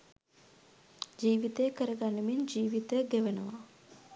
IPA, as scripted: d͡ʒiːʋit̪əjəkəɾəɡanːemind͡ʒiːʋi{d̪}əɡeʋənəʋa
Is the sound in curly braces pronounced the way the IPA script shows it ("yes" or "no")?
no